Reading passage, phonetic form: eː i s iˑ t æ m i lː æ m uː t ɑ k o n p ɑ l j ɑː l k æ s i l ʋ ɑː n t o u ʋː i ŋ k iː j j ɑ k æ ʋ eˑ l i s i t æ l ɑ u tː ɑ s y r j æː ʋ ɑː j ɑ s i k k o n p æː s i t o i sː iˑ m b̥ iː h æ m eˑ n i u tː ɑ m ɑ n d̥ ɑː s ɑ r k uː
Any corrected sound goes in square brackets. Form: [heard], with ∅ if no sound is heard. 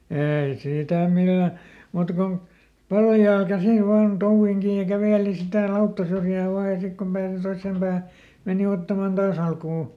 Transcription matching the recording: eː i s iˑ t æ m i lː æ m uː t ɑ k o n p ɑ l j ɑː l k æ s i l ʋ ɑː n t o u ʋː i ŋ k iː j j ɑ k æ ʋ eˑ l i s i t æ l ɑ u tː ɑ s y r j æː ʋ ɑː j ɑ s i k k o [m] p æː s i t o i sː [eˑ] m b̥ [æː] h æ m eˑ n i [o] tː ɑ m ɑ n d̥ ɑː s ɑ [l] k uː